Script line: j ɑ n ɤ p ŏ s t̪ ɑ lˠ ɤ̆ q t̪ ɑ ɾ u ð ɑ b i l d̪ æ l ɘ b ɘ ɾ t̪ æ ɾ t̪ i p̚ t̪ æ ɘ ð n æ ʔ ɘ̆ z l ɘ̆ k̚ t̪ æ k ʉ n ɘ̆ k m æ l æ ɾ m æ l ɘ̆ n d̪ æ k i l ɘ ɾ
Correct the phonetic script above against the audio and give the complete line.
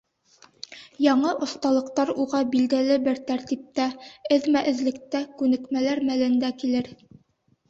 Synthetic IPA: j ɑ ɴ ɤ ʔ ŏ s t̪ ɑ lˠ ɤ̆ q t̪ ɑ ɾ u ʁ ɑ b i l d̪ æ l ɘ b ɘ ɾ t̪ æ ɾ t̪ i p̚ t̪ æ ɘ ð m æ ʔ ɘ̆ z l ɘ̆ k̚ t̪ æ k ʉ n ɘ̆ k m æ l æ ɾ m æ l ɘ̆ n d̪ æ k i l ɘ ɾ